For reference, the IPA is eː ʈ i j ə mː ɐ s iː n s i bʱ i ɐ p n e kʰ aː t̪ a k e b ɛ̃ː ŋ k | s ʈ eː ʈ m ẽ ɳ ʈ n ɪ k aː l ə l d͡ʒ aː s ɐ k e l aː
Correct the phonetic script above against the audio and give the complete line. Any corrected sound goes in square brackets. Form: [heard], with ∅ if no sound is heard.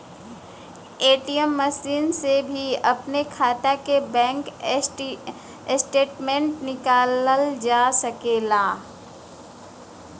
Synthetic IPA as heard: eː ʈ i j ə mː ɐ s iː n s [e] bʱ i ɐ p n e kʰ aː t̪ a k e b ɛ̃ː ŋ k | s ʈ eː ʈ m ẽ ɳ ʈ n ɪ k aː l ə l d͡ʒ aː s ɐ k e l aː

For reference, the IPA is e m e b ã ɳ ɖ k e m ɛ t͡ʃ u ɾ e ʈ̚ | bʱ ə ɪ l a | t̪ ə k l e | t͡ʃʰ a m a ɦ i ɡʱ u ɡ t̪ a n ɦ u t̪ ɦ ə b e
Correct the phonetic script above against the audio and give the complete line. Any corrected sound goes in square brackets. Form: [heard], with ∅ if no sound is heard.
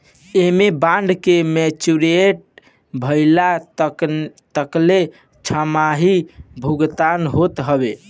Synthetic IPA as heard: e m e b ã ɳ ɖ k e m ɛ t͡ʃ u ɾ e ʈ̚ | bʱ ə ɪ l a | t̪ ə k l e | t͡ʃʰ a m a ɦ i [bʱ] u ɡ t̪ a n ɦ [o] t̪ ɦ ə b e

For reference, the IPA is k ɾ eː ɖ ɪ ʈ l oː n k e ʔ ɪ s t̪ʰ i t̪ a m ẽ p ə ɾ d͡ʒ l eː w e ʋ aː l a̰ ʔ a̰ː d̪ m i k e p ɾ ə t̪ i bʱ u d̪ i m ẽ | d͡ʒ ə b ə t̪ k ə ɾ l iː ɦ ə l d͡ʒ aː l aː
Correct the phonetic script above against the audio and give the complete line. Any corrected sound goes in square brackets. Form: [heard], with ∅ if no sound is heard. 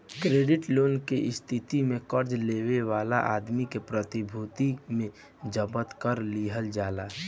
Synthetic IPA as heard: k ɾ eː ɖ ɪ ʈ l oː n k e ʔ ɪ s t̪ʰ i t̪ [i] m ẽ [k] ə ɾ d͡ʒ l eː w e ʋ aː l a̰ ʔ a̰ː d̪ m i k e p ɾ ə t̪ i bʱ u [t̪] i m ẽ | d͡ʒ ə b ə t̪ k ə ɾ l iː ɦ ə l d͡ʒ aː l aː

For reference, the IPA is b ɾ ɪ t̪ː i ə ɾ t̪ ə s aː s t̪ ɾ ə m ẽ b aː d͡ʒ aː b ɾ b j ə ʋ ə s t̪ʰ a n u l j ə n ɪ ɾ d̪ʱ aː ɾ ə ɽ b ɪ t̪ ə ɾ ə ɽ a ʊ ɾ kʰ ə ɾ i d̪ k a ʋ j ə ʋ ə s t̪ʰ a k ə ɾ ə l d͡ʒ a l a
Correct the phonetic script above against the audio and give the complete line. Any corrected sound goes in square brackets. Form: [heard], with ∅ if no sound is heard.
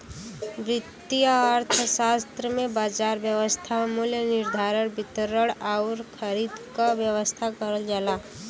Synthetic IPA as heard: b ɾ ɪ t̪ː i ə ɾ [t̪ʰ] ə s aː s t̪ ɾ ə m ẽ b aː d͡ʒ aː [∅] ɾ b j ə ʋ ə s t̪ʰ a [m] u l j ə n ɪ ɾ d̪ʱ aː ɾ ə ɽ b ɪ t̪ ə ɾ ə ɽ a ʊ ɾ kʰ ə ɾ i d̪ k a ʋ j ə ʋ ə s t̪ʰ a k ə ɾ ə l d͡ʒ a l a

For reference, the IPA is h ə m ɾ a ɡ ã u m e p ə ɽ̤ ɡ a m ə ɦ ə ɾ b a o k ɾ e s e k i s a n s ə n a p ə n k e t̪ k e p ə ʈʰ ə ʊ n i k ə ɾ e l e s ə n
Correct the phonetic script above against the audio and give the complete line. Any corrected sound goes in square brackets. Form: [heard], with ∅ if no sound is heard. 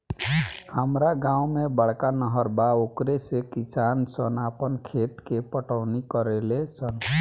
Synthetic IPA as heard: h ə m ɾ a ɡ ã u m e [b] ə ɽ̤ [k] a [n] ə ɦ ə ɾ b a o k ɾ e s e k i s a n s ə n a p ə n [kʰ] e t̪ k e p ə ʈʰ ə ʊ n i k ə ɾ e l e s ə n

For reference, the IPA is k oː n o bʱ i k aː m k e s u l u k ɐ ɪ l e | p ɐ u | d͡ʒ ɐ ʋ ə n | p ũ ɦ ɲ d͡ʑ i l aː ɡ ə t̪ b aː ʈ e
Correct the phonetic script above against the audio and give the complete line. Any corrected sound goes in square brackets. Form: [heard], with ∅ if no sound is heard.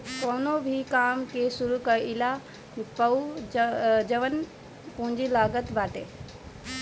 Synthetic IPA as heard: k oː n o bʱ i k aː m k e s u [ɾ] u k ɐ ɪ l [a] | p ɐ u | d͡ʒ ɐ ʋ ə n | p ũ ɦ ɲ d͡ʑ i l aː ɡ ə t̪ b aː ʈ e

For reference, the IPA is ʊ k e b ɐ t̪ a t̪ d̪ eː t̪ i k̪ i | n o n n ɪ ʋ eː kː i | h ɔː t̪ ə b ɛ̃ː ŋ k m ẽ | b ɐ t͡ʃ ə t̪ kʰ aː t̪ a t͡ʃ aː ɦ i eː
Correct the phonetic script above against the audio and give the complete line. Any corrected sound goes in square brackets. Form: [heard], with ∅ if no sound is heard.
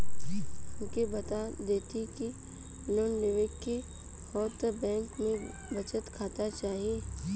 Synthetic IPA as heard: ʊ k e b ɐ t̪ a [∅] d̪ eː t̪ i k̪ i | n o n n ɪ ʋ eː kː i | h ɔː t̪ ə b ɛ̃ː ŋ k m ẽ | b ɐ t͡ʃ ə t̪ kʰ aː t̪ a t͡ʃ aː ɦ i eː

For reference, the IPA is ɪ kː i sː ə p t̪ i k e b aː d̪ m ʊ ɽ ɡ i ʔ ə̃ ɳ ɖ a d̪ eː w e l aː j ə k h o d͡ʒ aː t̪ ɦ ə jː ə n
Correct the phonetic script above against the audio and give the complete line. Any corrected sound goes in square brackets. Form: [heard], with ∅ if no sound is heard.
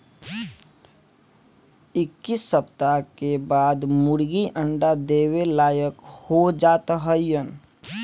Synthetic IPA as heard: ɪ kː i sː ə p t̪ [a] k e b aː d̪ m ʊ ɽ ɡ i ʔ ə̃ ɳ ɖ a d̪ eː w e l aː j ə k h o d͡ʒ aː t̪ ɦ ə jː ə n

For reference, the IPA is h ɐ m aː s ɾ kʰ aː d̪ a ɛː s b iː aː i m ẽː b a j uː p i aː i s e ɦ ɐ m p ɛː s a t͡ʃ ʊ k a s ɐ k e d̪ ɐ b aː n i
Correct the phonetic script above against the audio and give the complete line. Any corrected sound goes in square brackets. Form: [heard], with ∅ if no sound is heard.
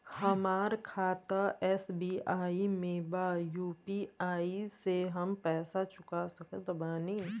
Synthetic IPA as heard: h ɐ m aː [∅] ɾ kʰ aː [t̪] a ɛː s b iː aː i m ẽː b a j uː p i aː i s e ɦ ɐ m p ɛː s a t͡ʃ ʊ k a s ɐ k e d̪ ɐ b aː n i

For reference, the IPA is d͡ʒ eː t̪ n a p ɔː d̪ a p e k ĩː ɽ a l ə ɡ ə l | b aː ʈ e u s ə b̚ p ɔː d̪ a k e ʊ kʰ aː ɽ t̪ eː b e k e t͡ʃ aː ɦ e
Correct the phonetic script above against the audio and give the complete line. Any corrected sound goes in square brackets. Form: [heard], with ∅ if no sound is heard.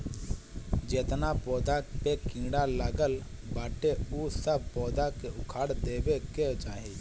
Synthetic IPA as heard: d͡ʒ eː t̪ n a p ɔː d̪ a p e k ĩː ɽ a l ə ɡ ə l | b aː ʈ e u s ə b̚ p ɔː d̪ a k e ʊ kʰ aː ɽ [d̪] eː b e k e t͡ʃ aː ɦ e

